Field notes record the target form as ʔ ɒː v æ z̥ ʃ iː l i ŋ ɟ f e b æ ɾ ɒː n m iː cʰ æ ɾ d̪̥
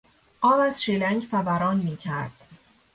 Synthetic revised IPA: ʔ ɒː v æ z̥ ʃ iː l æ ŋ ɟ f æ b æ ɾ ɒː n m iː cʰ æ ɾ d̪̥